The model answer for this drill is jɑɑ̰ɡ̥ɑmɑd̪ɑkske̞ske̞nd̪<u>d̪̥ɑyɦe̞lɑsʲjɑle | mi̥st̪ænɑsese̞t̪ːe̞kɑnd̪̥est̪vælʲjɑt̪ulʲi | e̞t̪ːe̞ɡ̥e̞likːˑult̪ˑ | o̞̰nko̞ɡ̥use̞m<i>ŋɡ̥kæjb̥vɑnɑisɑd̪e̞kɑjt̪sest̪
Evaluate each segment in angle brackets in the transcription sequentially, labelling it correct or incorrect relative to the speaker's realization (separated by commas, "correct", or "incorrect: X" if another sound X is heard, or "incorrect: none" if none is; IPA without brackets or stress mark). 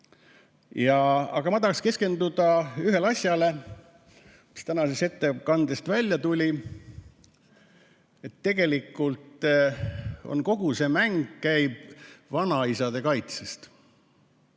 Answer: correct, incorrect: æ